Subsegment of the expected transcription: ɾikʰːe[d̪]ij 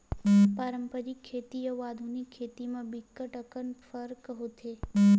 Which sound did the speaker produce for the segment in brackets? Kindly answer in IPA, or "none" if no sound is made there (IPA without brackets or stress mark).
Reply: t̪